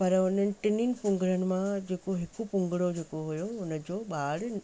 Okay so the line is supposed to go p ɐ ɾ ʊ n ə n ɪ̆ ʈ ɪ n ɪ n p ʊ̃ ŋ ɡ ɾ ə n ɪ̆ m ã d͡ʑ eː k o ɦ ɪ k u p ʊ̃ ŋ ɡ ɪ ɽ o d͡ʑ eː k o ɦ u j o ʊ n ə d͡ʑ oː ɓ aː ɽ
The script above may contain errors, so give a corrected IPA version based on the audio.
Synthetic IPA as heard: p ɐ ɾ ʊ n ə n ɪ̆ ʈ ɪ n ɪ n p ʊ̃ ŋ ɡ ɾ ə n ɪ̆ m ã d͡ʑ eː k o ɦ ɪ k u p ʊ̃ ŋ ɡ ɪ ɽ o d͡ʑ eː k o ɦ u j o ʊ n ə d͡ʑ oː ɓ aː ɽ